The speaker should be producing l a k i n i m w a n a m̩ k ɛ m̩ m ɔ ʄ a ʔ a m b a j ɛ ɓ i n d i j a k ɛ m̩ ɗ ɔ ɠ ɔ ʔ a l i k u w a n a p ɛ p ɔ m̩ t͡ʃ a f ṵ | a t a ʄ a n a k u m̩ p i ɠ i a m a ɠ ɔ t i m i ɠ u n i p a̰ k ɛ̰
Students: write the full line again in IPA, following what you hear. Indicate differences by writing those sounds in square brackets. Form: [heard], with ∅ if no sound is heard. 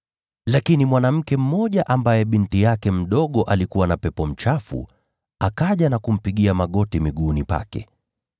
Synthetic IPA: l a k i n i m w a n a m̩ k ɛ m̩ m ɔ ʄ a ʔ a m b a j ɛ ɓ i n [t] i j a k ɛ m̩ ɗ ɔ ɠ ɔ ʔ a l i k u w a n a p ɛ p ɔ m̩ t͡ʃ a f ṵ | a [k] a ʄ a n a k u m̩ p i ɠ i a m a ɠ ɔ t i m i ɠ u n i p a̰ k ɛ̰